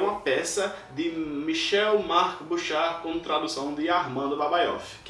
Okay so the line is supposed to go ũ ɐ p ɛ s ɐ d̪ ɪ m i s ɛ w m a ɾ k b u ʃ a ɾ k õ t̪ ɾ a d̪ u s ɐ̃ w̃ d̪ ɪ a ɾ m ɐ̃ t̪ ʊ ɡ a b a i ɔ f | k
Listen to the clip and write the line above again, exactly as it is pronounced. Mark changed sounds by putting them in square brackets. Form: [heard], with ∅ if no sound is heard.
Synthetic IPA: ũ ɐ p ɛ s ɐ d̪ ɪ m i [ʃ] ɛ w m a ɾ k b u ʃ a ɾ k õ t̪ ɾ a d̪ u s ɐ̃ w̃ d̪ ɪ a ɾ m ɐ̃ [d̪] ʊ [b] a b a [j] ɔ f | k